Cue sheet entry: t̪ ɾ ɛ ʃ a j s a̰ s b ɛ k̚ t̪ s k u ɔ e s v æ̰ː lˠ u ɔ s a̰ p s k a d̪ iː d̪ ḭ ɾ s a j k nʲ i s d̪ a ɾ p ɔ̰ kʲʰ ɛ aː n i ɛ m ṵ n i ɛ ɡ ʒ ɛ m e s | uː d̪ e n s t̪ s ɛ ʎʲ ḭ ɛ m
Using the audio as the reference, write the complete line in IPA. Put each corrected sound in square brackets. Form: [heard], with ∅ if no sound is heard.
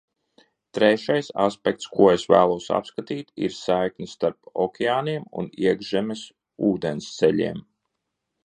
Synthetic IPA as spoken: t̪ ɾ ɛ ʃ a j s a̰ s [p] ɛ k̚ t̪ s k u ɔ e s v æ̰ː lˠ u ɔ s a̰ p s k a [t̪] iː [t̪] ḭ ɾ s a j k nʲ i s [t̪] a ɾ p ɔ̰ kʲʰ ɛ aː n i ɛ m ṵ n i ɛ ɡ ʒ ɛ m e s | uː d̪ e n s t̪ s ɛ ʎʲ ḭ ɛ m